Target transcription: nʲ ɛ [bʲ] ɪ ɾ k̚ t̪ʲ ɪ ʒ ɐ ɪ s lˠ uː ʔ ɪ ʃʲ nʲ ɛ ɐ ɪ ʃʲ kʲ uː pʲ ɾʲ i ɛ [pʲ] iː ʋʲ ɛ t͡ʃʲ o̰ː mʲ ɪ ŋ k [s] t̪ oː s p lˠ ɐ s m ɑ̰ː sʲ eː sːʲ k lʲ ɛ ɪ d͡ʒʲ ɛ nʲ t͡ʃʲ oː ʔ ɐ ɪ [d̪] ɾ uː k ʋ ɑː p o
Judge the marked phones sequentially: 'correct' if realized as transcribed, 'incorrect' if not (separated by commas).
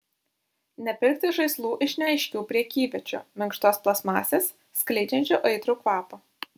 incorrect, incorrect, incorrect, incorrect